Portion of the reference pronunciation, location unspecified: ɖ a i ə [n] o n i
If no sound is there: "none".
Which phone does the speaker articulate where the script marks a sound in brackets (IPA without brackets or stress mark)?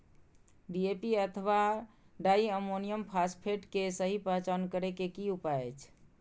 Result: m